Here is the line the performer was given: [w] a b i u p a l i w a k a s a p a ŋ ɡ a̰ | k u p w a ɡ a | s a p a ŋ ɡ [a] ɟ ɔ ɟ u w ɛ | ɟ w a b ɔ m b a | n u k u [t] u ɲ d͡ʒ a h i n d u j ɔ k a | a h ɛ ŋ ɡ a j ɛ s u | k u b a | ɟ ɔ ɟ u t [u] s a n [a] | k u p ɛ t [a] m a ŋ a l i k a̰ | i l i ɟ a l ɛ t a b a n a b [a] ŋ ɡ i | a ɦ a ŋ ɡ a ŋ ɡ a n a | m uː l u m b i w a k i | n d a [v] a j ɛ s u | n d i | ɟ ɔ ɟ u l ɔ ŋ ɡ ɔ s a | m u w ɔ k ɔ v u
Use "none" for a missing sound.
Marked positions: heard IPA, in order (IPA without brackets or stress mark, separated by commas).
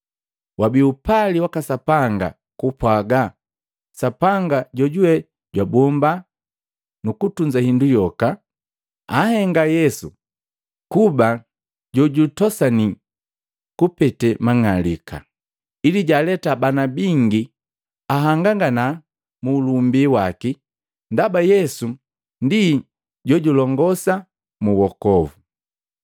w, a, t, ɔ, i, ɛ, i, b